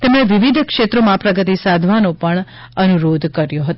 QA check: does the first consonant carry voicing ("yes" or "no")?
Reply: no